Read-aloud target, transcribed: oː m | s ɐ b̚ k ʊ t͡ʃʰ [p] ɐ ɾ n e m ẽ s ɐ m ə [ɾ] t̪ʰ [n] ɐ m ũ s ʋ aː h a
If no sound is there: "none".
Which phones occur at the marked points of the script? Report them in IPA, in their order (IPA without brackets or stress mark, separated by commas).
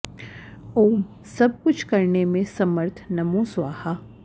k, ɾ, n